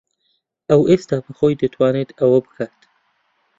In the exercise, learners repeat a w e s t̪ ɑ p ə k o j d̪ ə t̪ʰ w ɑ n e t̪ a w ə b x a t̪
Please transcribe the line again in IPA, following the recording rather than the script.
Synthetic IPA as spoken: a w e s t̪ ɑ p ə x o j d̪ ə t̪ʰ w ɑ n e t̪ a w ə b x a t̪